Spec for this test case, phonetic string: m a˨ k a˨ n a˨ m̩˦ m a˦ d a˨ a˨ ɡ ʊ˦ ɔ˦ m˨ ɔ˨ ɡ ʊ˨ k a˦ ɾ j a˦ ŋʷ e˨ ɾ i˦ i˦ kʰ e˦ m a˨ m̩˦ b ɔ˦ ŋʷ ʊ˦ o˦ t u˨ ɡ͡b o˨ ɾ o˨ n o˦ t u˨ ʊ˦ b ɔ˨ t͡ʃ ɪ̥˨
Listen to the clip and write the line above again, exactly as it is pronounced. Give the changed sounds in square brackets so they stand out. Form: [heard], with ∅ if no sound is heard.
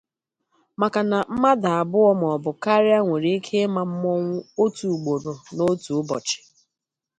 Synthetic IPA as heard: m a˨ k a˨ n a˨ m̩˦ m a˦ d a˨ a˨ [b] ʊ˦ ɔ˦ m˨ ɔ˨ [b] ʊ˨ k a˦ ɾ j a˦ ŋʷ e˨ ɾ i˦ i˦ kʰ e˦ m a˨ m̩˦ [m] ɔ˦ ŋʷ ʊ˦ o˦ t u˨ ɡ͡b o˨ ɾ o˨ n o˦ t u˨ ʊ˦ b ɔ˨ t͡ʃ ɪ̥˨